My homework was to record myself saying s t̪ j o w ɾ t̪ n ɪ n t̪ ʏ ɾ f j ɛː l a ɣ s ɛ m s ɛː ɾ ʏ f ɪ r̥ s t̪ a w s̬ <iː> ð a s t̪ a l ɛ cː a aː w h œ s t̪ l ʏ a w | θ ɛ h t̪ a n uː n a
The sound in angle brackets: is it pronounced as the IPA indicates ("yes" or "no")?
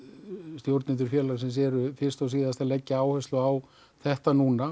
yes